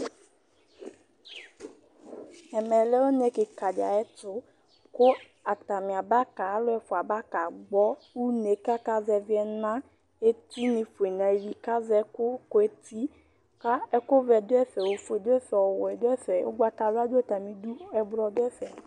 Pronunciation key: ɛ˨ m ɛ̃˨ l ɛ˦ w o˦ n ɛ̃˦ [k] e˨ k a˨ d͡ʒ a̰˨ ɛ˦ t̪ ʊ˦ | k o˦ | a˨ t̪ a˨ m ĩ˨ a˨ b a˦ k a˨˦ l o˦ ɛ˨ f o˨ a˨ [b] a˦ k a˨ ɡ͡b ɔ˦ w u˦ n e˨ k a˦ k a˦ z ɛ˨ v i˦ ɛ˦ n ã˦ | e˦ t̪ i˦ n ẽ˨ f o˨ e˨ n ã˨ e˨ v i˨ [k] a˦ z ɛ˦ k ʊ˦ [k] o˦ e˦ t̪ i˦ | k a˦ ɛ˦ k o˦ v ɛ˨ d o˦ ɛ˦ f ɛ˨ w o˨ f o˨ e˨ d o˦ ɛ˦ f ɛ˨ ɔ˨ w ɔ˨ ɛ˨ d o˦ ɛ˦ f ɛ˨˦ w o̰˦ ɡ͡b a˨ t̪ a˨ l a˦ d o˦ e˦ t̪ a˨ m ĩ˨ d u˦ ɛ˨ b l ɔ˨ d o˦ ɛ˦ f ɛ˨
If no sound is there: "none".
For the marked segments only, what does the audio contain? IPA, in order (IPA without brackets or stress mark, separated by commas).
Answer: k, b, k, k